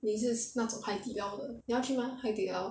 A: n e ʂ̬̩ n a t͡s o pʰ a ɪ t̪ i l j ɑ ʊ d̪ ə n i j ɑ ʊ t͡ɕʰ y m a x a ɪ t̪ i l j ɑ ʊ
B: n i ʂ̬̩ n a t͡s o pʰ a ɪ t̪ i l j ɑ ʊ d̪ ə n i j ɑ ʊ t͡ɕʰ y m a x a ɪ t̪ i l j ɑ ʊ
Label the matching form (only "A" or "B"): B